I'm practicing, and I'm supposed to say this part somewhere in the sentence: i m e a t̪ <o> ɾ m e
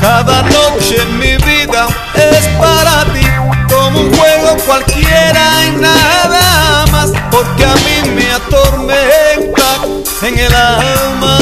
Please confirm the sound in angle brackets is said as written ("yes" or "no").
yes